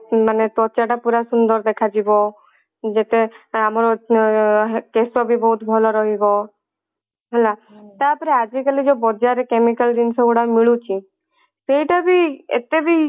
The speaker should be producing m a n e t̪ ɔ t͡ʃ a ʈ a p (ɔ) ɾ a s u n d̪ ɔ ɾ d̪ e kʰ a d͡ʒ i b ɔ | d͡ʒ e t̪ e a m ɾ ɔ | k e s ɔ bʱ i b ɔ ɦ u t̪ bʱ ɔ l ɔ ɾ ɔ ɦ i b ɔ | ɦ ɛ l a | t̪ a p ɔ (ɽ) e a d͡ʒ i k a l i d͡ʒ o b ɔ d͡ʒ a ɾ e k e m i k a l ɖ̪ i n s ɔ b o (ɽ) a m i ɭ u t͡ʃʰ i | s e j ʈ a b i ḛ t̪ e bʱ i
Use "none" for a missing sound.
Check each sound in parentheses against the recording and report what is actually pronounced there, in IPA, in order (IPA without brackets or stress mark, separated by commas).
u, ɾ, ɽ